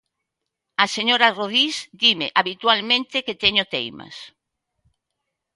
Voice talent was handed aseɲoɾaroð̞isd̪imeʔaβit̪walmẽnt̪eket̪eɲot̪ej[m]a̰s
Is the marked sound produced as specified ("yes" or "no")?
yes